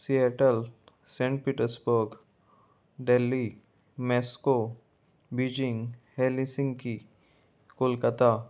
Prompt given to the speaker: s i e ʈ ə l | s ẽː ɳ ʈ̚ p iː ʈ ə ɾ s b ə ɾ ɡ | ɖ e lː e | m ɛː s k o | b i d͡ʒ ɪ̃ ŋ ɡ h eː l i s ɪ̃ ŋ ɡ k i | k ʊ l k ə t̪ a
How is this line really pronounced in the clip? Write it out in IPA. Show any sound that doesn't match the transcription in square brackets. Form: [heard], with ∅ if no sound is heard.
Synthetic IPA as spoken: s i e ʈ ə l | s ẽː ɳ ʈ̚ p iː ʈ ə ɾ s b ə ɾ ɡ | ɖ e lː [i] | m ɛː s k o | b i d͡ʒ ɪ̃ ŋ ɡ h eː l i s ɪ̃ ŋ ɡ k i | k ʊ l k ə t̪ a

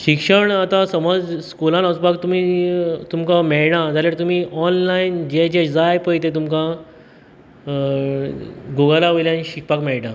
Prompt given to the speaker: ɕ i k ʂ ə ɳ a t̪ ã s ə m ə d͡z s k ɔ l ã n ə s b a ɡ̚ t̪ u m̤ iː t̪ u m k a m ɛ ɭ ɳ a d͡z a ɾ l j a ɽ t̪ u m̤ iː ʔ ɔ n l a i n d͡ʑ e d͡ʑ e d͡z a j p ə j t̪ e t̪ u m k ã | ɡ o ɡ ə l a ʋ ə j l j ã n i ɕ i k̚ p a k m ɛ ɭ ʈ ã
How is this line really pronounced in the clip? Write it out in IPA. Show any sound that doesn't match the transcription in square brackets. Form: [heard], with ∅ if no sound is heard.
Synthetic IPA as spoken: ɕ i k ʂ ə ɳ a t̪ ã s ə m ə d͡z s k [u] l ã n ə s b a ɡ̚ t̪ u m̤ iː t̪ u m k a m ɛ ɭ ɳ a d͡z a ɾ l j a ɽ t̪ u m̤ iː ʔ ɔ n l a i n d͡ʑ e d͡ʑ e d͡z a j p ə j t̪ e t̪ u m k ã | ɡ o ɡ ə l a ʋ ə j l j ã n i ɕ i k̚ p a k m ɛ ɭ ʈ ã

